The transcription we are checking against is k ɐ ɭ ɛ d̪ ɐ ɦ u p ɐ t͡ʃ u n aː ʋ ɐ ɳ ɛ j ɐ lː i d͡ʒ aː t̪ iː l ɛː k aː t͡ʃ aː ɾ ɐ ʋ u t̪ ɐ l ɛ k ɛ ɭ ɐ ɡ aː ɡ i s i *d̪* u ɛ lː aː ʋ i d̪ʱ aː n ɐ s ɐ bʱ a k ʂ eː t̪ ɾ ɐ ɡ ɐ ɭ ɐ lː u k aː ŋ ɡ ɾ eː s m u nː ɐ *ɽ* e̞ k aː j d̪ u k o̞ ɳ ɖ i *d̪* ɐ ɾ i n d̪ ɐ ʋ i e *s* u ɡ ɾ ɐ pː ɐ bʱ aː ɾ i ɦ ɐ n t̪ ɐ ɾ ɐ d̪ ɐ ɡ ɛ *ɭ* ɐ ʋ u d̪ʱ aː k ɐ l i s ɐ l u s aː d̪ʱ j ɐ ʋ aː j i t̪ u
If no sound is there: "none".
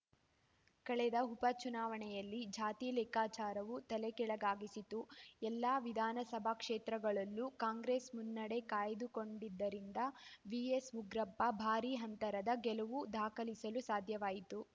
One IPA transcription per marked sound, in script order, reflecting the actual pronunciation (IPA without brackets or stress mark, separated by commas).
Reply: t̪, ɽ, d̪ː, s, l